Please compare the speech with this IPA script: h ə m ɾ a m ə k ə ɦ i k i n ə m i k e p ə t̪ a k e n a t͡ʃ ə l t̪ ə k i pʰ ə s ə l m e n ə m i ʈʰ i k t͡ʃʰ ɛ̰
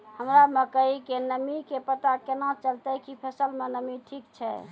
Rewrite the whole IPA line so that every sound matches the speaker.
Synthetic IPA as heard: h ə m ɾ a m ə k ə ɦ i k e n ə m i k e p ə t̪ a k e n a t͡ʃ ə l t̪ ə k i pʰ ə s ə l m e n ə m i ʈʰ i k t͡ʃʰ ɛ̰